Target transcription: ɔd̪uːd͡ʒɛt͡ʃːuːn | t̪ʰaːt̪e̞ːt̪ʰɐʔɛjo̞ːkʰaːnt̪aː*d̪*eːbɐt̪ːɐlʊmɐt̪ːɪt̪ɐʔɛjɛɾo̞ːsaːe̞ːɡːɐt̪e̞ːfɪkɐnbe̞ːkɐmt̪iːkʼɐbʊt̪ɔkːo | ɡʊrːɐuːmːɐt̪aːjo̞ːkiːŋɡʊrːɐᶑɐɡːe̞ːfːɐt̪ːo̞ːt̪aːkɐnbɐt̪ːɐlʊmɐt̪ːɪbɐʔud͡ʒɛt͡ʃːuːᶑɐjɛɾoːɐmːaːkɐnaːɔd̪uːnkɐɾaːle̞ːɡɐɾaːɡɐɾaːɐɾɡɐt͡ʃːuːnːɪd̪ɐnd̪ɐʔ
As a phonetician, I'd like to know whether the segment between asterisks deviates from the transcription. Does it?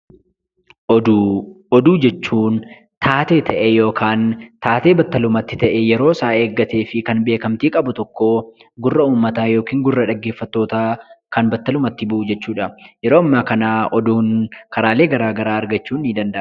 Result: yes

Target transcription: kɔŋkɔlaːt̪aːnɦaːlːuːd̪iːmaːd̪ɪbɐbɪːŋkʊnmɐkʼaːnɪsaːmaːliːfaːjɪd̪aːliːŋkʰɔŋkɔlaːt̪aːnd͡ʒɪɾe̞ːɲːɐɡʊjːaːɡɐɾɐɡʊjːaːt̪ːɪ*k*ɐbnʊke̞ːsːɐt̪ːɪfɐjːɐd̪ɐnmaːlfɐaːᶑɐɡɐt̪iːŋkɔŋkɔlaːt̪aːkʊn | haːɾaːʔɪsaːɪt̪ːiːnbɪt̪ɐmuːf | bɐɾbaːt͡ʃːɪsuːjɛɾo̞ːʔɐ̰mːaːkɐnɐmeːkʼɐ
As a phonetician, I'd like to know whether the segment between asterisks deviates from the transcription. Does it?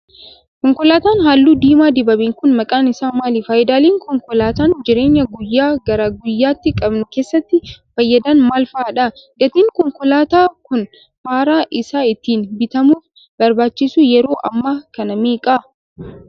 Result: yes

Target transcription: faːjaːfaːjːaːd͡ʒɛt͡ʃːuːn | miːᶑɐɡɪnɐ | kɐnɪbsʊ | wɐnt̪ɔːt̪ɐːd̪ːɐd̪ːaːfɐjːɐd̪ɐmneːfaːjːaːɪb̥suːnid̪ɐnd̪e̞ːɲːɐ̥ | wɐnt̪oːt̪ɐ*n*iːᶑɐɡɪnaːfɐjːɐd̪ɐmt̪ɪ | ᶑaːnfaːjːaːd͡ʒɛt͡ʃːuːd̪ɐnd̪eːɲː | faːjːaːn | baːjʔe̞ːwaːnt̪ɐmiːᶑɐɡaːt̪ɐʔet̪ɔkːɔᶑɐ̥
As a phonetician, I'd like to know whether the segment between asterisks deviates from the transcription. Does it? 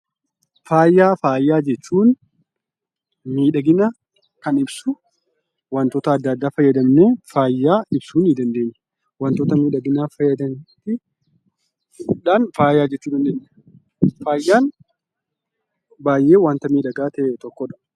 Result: yes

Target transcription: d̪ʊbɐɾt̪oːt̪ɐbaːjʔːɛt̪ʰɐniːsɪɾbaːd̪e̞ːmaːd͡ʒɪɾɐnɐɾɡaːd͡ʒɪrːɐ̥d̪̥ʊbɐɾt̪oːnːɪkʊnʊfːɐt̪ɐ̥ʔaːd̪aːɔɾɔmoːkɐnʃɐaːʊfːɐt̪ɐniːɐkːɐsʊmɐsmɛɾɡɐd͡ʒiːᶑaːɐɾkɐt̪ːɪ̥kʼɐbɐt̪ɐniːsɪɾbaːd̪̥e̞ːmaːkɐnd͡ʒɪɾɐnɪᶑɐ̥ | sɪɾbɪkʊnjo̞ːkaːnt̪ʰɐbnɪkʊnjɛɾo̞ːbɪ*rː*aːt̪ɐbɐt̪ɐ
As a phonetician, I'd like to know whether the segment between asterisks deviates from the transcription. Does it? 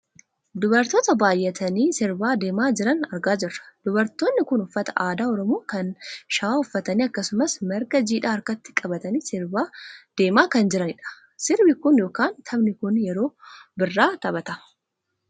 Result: no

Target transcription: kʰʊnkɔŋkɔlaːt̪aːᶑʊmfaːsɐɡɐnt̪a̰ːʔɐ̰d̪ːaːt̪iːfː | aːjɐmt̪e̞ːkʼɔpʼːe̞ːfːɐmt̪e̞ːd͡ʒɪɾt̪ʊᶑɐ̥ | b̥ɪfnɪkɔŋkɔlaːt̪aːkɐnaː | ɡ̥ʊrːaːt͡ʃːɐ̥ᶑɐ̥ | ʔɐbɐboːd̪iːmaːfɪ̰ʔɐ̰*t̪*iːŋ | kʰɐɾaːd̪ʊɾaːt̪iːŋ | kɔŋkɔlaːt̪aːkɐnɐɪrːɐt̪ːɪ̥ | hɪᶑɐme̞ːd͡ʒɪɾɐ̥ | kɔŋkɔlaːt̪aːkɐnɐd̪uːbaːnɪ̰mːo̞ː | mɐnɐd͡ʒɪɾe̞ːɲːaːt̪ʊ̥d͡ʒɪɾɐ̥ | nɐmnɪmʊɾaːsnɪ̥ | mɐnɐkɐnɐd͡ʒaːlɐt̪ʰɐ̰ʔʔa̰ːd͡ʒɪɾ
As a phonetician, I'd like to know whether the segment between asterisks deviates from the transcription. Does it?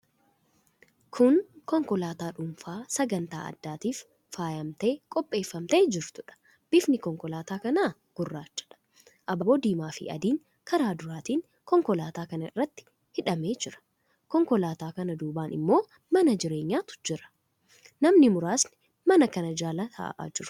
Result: yes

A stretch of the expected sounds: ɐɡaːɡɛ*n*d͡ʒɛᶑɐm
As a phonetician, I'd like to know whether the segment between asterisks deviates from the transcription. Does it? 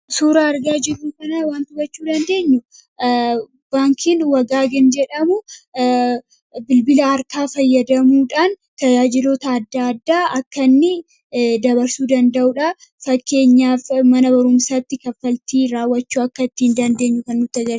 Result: no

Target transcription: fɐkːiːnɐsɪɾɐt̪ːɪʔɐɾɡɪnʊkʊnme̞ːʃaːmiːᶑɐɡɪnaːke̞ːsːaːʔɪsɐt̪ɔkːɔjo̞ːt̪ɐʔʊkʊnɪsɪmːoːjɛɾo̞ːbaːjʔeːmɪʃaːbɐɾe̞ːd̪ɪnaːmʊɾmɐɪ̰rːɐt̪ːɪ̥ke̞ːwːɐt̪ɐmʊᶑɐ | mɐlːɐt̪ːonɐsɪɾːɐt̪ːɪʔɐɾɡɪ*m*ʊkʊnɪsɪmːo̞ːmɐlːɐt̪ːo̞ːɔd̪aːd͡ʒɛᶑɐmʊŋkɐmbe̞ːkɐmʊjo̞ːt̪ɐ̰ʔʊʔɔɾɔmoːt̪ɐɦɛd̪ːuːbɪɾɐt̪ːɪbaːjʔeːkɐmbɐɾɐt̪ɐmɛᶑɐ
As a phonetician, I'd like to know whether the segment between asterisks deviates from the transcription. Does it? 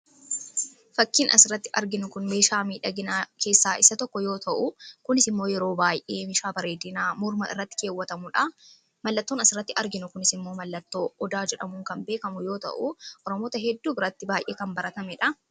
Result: yes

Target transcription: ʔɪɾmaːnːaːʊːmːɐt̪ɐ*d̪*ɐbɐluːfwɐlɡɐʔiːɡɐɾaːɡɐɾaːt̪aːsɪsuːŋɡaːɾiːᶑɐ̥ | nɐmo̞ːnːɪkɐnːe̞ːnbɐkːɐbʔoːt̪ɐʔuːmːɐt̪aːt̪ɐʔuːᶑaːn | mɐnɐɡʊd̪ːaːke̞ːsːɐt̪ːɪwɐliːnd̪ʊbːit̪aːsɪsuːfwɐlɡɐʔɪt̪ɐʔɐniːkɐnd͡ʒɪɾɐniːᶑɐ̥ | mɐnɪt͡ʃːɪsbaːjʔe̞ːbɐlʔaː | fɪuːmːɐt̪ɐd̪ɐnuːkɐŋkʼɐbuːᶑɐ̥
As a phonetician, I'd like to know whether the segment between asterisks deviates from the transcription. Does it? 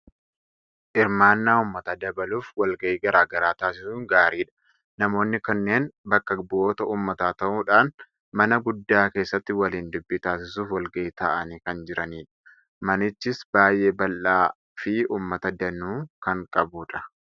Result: no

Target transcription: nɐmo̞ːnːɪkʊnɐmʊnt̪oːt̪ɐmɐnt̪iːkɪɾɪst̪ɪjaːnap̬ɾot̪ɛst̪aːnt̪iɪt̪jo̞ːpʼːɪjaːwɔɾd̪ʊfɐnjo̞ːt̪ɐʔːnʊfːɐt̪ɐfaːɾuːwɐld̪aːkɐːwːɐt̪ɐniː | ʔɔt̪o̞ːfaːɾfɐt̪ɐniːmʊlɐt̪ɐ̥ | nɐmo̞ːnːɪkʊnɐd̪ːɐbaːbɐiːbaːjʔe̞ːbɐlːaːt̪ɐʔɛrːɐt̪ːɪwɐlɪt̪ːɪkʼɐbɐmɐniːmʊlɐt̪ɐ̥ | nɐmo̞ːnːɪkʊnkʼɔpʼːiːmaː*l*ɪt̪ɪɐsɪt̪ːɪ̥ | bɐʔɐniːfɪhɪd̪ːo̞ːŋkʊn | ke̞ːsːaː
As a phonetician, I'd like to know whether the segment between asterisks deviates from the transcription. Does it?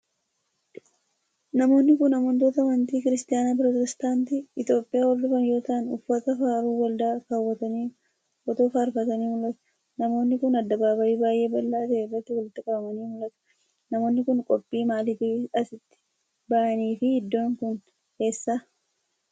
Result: no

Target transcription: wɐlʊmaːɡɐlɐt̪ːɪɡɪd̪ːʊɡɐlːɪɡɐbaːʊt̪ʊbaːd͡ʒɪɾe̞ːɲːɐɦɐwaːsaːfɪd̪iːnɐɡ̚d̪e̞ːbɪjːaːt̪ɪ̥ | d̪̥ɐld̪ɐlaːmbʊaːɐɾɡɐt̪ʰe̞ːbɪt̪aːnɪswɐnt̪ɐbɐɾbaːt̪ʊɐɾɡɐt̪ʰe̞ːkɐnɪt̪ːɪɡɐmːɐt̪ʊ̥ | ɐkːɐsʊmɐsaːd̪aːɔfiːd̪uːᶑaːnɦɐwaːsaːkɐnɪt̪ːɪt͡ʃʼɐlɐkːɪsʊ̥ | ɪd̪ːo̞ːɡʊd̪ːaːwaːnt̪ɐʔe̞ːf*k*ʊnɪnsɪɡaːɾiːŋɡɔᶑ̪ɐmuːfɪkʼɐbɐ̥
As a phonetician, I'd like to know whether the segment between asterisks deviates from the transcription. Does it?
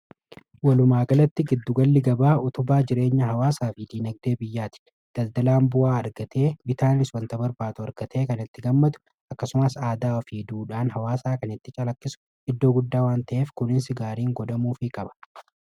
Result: no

